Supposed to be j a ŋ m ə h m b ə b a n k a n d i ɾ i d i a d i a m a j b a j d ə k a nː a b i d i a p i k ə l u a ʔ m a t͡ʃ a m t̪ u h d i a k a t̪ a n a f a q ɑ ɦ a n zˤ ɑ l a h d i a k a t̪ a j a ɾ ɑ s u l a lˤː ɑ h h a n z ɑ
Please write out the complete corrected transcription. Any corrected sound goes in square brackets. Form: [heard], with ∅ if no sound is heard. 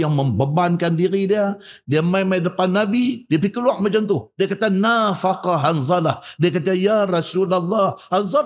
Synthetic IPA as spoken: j a ŋ m ə [∅] m b ə b a n k a n d i ɾ i d i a d i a m a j [m] a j d ə [p] a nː a b i d i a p i k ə l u a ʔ m a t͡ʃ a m t̪ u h d i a k a t̪ a n a f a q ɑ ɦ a n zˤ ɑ l a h d i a k a t̪ a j a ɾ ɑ s u l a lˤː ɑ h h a n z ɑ